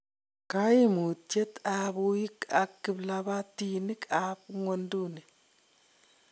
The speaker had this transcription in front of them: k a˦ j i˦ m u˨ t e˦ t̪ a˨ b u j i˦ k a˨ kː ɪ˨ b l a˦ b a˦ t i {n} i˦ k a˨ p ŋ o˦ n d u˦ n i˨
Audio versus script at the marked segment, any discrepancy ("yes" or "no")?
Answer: no